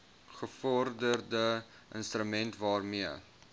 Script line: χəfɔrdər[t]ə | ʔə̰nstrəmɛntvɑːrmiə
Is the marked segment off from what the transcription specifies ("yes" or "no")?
yes